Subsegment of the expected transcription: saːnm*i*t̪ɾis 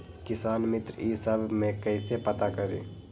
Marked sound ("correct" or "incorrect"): incorrect